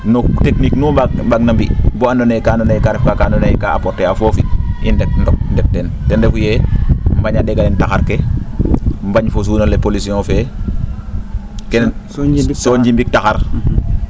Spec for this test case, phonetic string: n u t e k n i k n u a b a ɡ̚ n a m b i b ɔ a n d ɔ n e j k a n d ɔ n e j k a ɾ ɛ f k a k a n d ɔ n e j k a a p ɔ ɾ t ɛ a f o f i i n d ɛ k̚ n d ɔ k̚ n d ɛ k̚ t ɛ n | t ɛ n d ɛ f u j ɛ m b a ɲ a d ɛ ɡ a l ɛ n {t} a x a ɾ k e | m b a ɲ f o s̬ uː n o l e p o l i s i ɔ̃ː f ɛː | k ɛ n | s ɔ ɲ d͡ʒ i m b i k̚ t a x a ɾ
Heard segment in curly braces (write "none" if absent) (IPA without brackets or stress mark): t